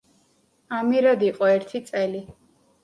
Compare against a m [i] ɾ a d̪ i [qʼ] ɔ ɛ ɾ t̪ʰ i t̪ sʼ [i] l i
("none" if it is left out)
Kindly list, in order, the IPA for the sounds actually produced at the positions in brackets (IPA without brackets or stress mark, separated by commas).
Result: i, qʼ, ɛ